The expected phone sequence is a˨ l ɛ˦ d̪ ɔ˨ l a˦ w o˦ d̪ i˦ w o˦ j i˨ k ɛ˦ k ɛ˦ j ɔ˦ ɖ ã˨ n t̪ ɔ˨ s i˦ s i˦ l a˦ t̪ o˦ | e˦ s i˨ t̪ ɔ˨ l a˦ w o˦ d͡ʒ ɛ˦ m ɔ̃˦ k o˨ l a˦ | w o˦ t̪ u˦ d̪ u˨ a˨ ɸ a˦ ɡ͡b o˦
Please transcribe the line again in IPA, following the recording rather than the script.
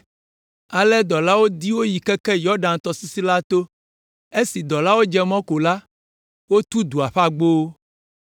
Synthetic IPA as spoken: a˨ l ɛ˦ d̪ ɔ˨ l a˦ w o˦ d̪ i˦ w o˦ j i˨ k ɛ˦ k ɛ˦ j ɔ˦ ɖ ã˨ n t̪ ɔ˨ s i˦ s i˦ l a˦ t̪ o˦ | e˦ s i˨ d̪ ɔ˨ l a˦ w o˦ d͡ʒ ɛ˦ m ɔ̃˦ k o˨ l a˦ | w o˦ t̪ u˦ d̪ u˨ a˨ ɸ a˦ ɡ͡b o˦